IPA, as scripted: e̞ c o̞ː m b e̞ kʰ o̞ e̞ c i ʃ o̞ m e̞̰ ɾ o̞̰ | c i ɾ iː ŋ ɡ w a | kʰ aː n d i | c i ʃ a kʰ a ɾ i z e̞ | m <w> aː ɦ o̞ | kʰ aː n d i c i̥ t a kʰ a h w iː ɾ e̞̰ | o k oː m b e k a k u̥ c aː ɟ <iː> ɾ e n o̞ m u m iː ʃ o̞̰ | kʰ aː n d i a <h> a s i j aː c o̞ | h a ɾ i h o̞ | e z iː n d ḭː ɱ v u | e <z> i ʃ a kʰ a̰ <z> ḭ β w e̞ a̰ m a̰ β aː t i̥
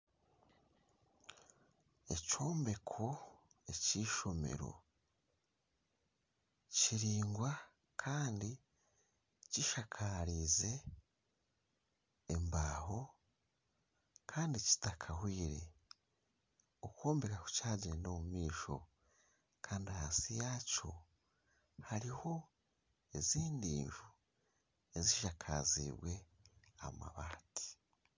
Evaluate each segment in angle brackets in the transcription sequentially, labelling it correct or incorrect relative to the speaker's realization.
incorrect: b, incorrect: i, correct, correct, correct

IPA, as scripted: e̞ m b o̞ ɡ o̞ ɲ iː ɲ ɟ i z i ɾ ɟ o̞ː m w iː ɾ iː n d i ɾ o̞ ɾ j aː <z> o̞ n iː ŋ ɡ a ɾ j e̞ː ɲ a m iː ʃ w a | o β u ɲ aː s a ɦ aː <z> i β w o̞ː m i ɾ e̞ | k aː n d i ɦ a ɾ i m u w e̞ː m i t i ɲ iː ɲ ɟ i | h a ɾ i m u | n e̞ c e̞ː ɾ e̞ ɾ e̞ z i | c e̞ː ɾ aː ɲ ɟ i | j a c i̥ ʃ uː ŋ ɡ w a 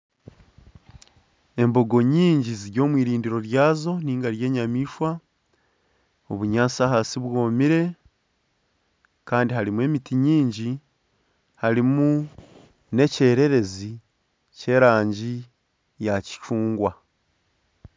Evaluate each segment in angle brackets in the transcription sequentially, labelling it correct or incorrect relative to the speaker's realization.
correct, incorrect: s

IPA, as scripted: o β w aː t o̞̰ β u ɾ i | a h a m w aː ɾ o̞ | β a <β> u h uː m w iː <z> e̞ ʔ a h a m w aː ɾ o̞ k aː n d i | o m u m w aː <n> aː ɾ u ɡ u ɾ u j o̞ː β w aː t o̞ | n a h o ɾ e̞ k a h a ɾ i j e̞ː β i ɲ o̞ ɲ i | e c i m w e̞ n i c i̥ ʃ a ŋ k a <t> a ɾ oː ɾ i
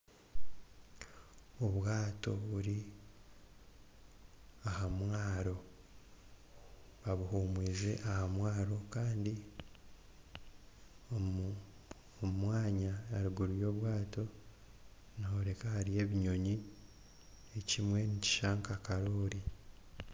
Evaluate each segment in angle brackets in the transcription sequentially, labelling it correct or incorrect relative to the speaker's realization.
correct, correct, incorrect: ɲ, incorrect: k

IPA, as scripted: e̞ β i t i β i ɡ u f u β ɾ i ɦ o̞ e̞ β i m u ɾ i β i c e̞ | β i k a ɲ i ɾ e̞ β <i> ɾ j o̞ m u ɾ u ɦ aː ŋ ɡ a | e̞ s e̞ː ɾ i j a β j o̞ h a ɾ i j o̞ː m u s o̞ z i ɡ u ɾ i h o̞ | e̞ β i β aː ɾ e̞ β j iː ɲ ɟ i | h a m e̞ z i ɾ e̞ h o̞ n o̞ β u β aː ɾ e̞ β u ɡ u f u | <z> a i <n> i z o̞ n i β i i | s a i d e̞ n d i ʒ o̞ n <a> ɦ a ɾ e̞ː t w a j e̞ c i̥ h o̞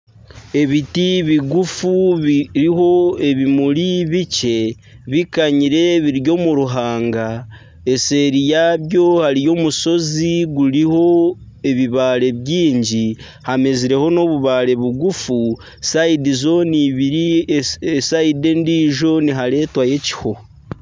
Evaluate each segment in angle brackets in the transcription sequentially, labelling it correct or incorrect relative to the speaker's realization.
correct, incorrect: s, incorrect: d, incorrect: i

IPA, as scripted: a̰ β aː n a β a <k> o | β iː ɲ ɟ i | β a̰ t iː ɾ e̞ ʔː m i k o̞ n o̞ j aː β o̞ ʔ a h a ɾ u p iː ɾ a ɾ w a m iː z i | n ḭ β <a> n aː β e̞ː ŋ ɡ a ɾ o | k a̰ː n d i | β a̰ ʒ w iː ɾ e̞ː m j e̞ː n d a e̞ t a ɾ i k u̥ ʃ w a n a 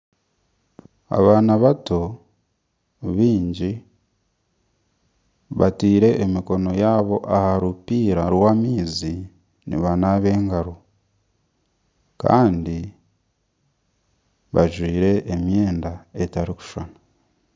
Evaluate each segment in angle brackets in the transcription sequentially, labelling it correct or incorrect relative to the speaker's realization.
incorrect: t, correct

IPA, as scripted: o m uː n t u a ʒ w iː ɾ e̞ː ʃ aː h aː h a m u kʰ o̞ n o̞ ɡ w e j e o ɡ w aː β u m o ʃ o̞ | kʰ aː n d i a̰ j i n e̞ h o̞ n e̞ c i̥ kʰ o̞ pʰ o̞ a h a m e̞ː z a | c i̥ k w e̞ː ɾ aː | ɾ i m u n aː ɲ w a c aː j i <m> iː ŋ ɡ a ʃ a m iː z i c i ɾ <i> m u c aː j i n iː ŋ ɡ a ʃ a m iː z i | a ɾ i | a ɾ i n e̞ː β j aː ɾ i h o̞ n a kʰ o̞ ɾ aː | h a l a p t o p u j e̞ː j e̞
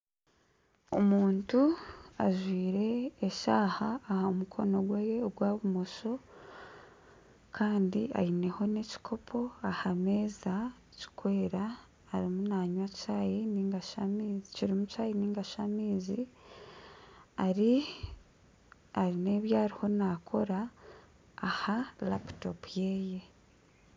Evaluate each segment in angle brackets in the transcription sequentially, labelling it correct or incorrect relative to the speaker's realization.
incorrect: n, correct

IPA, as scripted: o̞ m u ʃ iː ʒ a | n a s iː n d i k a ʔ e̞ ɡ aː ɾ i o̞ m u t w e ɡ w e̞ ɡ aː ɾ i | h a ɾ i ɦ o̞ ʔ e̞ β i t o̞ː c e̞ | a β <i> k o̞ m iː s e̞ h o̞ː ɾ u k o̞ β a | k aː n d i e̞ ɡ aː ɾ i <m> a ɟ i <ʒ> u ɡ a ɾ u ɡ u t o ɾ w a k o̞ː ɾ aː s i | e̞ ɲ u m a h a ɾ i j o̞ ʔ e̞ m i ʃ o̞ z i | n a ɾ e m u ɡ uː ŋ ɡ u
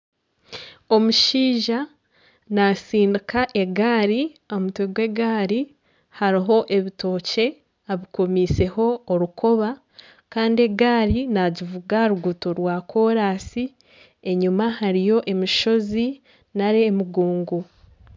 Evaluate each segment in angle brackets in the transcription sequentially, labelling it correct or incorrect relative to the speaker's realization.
correct, incorrect: n, incorrect: v

